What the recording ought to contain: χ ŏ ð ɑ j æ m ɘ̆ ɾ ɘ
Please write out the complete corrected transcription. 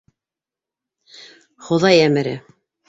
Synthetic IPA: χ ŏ ð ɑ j æ m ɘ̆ ɾ ɘ